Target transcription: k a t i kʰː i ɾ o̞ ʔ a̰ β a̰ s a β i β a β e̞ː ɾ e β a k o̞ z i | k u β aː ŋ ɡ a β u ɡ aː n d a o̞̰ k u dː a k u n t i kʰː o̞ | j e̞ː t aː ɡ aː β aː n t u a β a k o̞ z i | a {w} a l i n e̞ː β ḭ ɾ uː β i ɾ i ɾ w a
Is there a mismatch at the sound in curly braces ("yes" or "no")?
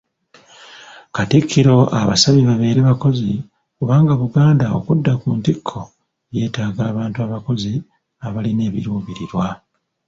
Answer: yes